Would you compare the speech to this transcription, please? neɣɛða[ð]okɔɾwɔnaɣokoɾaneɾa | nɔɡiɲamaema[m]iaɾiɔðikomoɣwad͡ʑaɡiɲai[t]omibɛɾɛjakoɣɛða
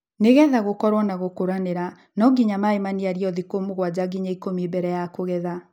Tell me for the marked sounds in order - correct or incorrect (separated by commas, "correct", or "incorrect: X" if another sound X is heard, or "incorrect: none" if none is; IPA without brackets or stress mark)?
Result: incorrect: ɣ, incorrect: n, incorrect: k